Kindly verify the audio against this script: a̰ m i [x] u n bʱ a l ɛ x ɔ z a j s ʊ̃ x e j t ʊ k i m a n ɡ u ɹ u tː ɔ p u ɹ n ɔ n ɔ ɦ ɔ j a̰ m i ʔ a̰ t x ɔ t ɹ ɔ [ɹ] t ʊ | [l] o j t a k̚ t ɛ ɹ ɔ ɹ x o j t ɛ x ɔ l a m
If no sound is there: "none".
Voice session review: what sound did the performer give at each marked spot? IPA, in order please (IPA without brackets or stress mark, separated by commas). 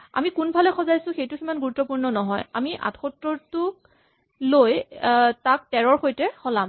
k, ɹ, l